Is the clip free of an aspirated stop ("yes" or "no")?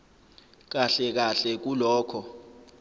no